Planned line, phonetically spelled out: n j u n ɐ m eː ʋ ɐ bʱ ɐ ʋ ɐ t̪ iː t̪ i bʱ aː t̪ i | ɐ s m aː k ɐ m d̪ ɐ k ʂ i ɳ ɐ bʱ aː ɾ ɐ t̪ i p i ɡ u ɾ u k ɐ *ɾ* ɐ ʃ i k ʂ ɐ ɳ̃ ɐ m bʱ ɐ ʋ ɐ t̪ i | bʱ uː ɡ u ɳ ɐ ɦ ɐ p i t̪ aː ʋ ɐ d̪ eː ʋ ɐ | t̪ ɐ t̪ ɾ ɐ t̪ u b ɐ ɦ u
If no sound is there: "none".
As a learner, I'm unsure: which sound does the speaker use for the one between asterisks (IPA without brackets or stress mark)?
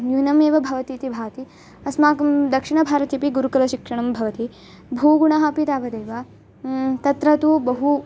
l